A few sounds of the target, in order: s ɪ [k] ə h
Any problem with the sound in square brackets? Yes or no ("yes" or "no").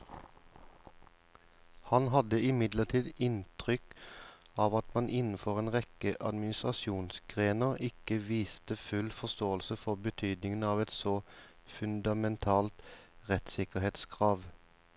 no